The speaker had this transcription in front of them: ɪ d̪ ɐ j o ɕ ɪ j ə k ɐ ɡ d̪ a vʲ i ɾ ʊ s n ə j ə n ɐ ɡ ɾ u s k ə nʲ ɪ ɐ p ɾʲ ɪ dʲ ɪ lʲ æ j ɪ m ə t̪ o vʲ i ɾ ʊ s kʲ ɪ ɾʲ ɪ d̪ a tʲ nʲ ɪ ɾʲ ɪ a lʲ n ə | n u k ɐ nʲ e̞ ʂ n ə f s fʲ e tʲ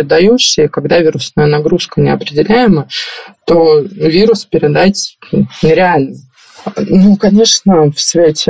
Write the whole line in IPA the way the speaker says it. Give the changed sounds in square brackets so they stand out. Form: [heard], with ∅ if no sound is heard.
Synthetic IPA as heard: ɪ d̪ ɐ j [u] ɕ ɪ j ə k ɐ ɡ d̪ a vʲ i ɾ ʊ s n ə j ə n ɐ ɡ ɾ u s k ə nʲ ɪ ɐ p ɾʲ ɪ dʲ ɪ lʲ æ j ɪ m ə t̪ o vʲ i ɾ ʊ s [pʲ] ɪ ɾʲ ɪ d̪ a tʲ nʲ ɪ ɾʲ ɪ a lʲ n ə | n u k ɐ nʲ e̞ ʂ n ə f s [vʲ] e tʲ